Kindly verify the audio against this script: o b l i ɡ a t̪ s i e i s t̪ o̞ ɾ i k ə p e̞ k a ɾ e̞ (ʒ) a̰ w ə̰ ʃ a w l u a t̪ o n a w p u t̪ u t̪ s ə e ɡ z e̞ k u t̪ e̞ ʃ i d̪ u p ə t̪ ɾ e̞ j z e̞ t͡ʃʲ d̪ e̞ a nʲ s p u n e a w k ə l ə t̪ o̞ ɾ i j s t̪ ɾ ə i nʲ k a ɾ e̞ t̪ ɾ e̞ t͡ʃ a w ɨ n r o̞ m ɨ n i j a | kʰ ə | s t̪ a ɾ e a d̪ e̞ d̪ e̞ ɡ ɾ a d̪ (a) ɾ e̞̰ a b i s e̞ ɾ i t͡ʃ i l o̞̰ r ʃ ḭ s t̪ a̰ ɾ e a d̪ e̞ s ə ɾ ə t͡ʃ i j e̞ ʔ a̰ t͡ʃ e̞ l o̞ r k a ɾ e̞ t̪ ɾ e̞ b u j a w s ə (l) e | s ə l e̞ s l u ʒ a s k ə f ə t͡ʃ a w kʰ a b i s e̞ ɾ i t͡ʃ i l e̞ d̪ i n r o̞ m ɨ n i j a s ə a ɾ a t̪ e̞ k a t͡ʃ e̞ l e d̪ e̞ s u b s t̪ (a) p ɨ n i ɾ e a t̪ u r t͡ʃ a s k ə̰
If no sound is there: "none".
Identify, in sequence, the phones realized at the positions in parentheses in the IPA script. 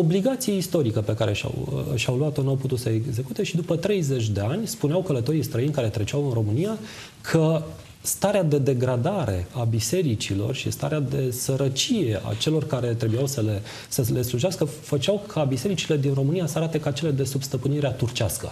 ʃ, a, l, ə

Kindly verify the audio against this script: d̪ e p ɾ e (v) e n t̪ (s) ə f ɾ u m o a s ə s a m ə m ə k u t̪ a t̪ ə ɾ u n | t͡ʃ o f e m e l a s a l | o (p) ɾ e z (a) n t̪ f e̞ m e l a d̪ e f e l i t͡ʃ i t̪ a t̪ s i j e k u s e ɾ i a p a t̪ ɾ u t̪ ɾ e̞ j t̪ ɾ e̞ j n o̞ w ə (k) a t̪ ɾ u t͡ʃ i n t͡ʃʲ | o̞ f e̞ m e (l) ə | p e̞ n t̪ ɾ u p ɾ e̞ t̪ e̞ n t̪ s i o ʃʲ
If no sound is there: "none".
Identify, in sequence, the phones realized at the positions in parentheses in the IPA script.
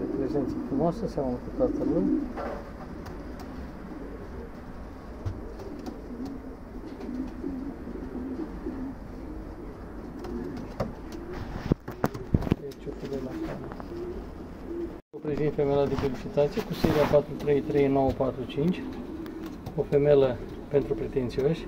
z, s, p, i, p, l

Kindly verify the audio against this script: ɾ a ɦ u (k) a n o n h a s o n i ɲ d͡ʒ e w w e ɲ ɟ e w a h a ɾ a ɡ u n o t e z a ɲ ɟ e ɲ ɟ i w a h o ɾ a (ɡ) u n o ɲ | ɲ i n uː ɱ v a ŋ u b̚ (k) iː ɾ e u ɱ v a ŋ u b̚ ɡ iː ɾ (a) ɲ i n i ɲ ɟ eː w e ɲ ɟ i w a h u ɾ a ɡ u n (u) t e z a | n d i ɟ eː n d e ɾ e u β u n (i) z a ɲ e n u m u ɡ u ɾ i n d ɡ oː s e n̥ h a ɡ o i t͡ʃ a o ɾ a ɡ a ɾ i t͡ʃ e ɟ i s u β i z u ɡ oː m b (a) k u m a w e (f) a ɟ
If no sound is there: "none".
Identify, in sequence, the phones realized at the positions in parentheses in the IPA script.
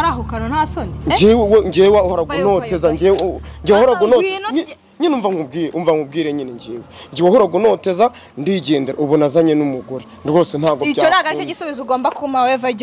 k, ɡ, ɡ, e, o, a, a, v

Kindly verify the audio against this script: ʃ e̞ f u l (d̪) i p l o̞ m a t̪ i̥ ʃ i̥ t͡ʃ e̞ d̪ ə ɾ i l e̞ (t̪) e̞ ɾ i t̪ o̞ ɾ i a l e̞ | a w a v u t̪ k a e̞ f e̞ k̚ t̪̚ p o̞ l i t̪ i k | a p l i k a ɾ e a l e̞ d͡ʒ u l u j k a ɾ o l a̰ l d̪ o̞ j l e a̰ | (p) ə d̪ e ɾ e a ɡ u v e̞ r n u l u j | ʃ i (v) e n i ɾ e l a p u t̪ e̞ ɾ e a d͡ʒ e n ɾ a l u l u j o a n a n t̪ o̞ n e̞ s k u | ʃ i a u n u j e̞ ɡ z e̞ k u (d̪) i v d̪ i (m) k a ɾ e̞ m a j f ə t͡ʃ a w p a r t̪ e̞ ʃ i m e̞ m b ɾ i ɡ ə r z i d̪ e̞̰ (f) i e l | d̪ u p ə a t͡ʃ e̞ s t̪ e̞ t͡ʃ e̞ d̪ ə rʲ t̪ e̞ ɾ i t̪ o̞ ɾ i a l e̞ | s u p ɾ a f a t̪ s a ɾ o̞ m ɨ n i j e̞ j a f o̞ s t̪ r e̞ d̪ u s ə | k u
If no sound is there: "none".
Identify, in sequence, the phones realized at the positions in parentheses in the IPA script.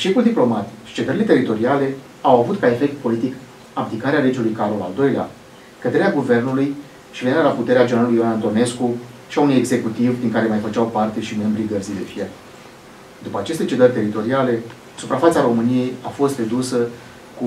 d̪, t̪, k, v, t̪, ŋ, f

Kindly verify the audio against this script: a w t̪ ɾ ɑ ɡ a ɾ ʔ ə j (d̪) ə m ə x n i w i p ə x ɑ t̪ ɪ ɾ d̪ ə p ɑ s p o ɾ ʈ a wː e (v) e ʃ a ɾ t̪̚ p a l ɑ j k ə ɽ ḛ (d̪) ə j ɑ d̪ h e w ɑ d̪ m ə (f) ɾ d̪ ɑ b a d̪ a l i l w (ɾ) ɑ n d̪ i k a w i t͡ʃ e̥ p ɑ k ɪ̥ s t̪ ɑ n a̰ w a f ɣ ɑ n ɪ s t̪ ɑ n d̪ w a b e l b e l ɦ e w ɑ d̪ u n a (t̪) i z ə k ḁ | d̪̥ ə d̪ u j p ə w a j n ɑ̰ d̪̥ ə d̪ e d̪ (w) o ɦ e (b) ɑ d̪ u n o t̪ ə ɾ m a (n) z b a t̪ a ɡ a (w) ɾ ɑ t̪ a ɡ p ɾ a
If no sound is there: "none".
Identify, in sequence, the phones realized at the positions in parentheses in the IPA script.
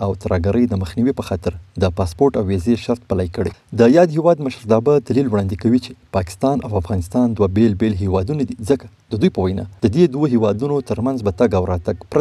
d̪, z, d̪, ʃ, ɽ, d̪, w, w, n, w

